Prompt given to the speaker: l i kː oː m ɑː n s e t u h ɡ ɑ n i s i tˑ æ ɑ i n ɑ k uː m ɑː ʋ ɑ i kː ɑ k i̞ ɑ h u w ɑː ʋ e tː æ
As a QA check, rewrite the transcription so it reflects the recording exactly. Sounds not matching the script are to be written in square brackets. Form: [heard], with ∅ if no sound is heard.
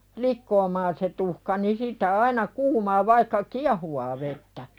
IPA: l i kː oː m ɑː n s e t u h [k] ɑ n i s i tˑ æ ɑ i n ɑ k uː m ɑː ʋ ɑ i kː ɑ k i̞ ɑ h u w ɑː ʋ e tː æ